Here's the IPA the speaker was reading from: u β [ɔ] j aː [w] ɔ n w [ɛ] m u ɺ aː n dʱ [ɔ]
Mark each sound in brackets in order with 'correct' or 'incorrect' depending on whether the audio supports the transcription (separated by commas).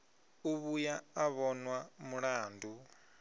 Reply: incorrect, incorrect, incorrect, incorrect